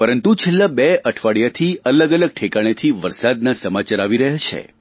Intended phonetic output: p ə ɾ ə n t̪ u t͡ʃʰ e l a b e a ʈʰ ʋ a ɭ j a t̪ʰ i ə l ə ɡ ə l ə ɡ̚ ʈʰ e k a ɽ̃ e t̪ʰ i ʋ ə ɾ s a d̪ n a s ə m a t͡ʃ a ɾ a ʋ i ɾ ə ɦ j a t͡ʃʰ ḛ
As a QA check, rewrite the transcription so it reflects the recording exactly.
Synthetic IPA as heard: p ə ɾ ə n t̪ u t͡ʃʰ e lː a b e ə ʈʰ ʋ a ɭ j a t̪ʰ i ə l ə ɡ ə l ə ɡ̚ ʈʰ e k a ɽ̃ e t̪ʰ i ʋ ə ɾ s a d̪ n a s ə m a t͡ʃ a ɾ a ʋ i ɾ ə ɦ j a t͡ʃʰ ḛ